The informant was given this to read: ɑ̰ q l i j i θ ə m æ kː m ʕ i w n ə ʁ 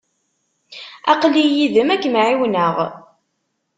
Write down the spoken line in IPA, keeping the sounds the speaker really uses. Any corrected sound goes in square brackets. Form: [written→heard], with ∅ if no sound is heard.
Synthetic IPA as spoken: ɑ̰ q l i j i [θ→ð] ə m æ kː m ʕ i w n ə ʁ